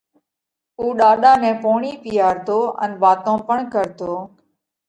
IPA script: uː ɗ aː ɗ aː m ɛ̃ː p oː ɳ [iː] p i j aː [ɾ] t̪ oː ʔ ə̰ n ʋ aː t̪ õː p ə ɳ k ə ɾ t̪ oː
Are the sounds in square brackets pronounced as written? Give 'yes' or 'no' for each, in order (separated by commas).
yes, yes